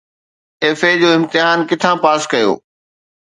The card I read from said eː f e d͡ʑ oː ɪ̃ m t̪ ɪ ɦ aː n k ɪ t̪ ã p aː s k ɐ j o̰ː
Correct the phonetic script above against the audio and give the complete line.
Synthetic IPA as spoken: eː f e d͡ʑ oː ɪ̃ m t̪ ɪ ɦ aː n k ɪ t̪ʰ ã p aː s k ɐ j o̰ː